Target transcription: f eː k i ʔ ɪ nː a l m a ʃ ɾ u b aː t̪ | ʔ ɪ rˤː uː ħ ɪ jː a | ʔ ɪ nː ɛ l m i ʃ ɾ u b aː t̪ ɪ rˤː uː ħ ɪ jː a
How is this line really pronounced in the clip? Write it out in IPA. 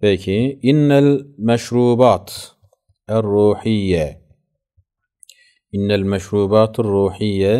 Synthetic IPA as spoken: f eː k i ʔ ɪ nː a l m a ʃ ɾ uː b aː t̪ | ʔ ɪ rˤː uː ħ ɪ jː a | ʔ ɪ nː a l m a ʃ ɾ uː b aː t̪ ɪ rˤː uː ħ ɪ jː a